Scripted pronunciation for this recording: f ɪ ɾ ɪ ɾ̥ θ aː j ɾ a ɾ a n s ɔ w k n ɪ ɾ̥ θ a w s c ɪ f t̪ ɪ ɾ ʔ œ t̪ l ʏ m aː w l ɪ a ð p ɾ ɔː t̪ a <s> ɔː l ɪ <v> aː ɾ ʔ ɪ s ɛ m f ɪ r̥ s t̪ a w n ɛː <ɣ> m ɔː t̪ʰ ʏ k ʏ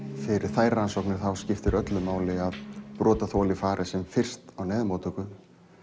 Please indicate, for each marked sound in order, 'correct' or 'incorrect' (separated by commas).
incorrect, incorrect, incorrect